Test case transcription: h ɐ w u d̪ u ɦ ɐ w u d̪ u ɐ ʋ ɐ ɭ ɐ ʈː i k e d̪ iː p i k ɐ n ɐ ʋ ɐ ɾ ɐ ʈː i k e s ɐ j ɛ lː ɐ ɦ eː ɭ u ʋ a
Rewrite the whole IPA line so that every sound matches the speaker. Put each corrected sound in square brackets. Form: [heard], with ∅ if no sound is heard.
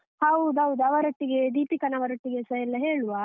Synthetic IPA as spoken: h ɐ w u d̪ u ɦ ɐ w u d̪ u ɐ ʋ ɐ [ɾ] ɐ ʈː i [ɡ] e d̪ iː p i k ɐ n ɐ ʋ ɐ ɾ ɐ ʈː i [ɡ] e s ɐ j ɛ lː ɐ ɦ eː ɭ u ʋ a